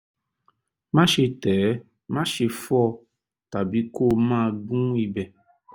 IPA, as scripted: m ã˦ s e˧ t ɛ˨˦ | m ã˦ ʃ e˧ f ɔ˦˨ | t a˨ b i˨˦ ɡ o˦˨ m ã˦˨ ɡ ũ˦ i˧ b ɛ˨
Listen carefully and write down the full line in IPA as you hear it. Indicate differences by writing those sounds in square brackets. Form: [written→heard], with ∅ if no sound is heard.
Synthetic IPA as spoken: m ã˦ [s→ʃ] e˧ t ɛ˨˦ | m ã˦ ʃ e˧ f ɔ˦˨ | t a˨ b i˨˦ [ɡ→k] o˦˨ m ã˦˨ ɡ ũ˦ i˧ b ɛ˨